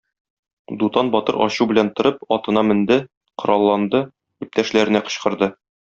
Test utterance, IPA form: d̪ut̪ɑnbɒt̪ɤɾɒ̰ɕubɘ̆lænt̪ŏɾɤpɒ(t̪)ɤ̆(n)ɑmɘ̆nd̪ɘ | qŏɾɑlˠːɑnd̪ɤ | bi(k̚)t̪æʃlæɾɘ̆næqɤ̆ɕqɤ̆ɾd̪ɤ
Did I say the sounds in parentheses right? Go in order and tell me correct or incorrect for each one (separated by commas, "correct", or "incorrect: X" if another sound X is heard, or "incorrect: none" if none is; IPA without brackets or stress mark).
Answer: correct, correct, incorrect: p̚